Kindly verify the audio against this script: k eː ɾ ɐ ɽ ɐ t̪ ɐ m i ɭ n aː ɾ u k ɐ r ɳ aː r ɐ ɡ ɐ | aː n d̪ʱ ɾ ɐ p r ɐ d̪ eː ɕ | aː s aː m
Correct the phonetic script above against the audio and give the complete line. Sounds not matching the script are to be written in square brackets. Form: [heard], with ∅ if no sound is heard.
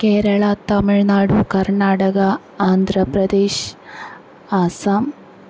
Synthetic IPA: k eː ɾ ɐ [ɭ] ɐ t̪ ɐ m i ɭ n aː [ɽ] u k ɐ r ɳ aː [ɽ] ɐ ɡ ɐ | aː n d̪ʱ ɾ ɐ p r ɐ d̪ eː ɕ | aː s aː m